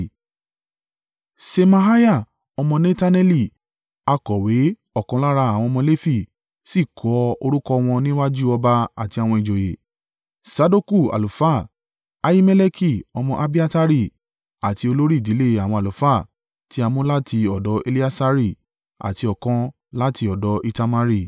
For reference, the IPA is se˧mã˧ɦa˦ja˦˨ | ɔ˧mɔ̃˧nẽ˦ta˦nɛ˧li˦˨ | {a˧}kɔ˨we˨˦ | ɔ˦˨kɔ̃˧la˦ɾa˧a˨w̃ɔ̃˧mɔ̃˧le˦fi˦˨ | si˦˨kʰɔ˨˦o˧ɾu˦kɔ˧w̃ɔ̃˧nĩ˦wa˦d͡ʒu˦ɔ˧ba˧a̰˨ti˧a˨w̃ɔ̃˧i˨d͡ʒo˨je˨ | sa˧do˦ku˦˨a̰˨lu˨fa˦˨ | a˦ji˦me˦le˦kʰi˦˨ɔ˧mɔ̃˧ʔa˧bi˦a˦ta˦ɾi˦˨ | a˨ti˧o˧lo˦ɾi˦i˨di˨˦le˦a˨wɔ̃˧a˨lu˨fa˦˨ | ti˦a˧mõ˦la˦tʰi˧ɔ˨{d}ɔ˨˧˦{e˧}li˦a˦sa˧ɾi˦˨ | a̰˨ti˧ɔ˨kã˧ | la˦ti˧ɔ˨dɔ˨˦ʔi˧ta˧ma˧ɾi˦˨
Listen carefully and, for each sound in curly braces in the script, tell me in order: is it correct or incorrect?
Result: correct, correct, correct

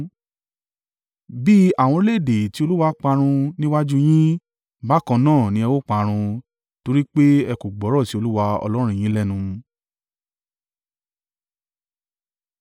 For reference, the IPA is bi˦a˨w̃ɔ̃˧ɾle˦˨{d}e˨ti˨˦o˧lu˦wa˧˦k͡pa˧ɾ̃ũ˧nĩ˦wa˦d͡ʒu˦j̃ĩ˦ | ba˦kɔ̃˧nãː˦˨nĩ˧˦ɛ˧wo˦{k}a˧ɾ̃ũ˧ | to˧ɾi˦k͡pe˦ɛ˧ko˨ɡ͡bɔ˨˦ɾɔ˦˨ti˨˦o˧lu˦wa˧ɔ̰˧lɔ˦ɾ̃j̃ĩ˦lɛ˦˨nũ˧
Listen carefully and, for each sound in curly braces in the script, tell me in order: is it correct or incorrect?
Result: correct, incorrect: k͡p

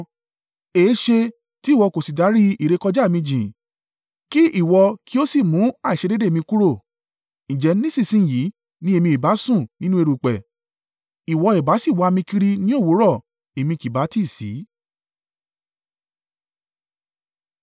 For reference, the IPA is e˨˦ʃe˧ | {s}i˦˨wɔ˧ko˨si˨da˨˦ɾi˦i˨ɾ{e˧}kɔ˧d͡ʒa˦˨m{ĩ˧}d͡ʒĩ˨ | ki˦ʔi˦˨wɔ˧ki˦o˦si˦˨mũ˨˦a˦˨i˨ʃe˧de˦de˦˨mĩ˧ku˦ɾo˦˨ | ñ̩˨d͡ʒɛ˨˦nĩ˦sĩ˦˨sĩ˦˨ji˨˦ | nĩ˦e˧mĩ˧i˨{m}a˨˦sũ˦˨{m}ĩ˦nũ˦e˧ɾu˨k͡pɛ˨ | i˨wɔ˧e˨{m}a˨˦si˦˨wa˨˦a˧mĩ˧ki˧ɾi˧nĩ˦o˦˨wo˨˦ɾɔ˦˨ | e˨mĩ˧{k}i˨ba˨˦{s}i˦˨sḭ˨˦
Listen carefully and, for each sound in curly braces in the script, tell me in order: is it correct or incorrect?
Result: incorrect: t, correct, correct, incorrect: b, incorrect: n, incorrect: b, correct, incorrect: t

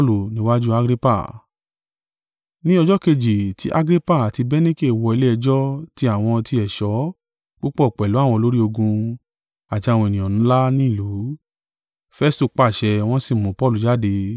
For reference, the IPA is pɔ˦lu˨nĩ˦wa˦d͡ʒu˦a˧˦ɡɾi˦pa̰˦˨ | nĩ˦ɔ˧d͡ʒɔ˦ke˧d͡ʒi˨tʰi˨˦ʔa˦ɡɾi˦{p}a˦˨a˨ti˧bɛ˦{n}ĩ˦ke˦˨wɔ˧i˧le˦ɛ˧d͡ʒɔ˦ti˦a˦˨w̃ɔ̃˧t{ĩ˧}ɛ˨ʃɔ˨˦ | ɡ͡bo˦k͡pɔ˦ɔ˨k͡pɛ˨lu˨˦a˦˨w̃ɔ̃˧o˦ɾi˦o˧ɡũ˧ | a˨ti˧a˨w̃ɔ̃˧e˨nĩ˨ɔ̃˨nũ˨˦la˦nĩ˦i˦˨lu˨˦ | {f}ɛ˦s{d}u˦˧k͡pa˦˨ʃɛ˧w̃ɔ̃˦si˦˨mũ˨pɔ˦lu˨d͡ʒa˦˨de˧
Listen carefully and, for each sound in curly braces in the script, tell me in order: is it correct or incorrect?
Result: correct, correct, incorrect: i˧, correct, incorrect: t

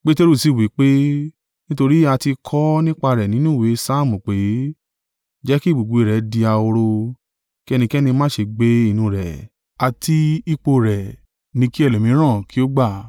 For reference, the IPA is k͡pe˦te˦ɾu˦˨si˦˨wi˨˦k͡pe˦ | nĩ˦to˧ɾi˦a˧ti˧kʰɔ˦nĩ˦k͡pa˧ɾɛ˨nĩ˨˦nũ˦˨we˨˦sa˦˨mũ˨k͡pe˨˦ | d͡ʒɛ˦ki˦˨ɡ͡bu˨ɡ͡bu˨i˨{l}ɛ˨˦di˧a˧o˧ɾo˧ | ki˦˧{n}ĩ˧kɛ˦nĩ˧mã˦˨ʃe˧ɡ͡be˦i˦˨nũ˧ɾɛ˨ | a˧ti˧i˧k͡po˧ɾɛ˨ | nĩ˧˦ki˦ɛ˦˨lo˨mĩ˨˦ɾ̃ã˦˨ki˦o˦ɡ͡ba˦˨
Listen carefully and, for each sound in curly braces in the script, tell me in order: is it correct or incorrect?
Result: incorrect: ɾ, correct

